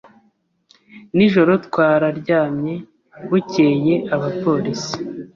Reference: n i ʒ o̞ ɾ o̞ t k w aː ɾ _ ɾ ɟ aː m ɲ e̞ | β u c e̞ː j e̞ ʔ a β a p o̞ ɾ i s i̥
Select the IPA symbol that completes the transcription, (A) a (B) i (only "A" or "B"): A